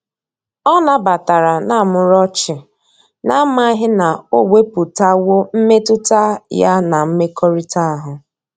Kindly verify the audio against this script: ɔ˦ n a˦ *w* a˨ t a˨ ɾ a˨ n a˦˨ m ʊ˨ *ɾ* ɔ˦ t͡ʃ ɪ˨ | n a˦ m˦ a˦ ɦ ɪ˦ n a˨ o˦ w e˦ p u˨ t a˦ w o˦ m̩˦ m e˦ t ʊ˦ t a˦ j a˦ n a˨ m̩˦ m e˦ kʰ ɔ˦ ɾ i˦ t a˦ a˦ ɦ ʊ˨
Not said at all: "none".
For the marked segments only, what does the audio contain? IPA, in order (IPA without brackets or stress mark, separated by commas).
b, ɾ